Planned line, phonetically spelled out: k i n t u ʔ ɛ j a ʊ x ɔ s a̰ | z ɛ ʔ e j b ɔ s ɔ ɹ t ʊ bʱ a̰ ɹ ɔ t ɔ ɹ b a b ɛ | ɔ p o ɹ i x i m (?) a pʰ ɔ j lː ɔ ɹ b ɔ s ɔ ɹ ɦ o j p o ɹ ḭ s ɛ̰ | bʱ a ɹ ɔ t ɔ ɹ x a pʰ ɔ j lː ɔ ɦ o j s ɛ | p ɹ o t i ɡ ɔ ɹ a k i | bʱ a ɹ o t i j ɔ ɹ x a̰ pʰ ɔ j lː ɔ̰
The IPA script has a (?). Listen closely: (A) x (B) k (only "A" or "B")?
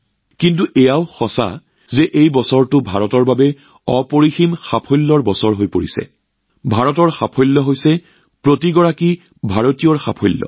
A